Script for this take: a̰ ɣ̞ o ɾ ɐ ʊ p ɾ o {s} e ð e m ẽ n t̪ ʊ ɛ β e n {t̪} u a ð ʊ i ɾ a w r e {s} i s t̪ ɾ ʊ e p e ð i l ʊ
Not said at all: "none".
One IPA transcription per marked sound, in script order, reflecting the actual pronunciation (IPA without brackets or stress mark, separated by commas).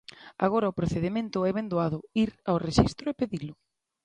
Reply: θ, d̪, ʃ